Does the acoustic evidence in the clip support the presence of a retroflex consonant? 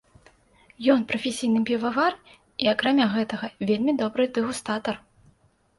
no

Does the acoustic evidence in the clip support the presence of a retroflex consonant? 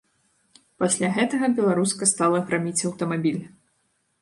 no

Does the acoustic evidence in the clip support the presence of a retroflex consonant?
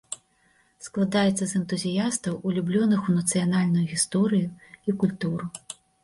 no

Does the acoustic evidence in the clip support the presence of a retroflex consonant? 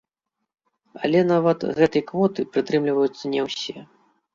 no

